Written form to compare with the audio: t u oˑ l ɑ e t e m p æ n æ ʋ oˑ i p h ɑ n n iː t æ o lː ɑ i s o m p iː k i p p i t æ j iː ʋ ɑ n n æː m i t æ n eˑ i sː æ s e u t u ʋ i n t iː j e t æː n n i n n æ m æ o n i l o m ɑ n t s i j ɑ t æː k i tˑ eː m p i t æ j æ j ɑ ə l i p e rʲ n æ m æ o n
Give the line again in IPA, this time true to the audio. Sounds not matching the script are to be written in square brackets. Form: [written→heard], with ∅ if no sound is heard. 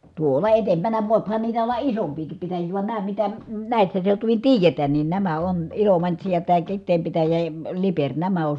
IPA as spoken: t u oˑ l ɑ e t e m p æ n æ ʋ oˑ i p h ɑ n n iː t æ o lː ɑ i s o m p iː k i p p i t æ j iː ʋ ɑ n n æː m i t æ n [eˑ→æˑ] i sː æ s e u t u ʋ i n t iː j e t æː n n i n n æ m æ o n i l o m ɑ n t s i j ɑ t æː k i tˑ eː m p i t æ j æ j ɑ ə l i p e rʲ n æ m æ o n